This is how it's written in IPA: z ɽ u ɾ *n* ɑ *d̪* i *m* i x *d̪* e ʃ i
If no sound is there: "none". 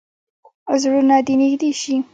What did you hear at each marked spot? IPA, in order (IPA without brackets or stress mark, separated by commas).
n, d̪, n, d̪